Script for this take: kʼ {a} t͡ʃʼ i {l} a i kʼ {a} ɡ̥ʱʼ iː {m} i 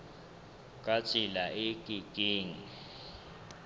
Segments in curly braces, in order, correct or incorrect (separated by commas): correct, correct, incorrect, incorrect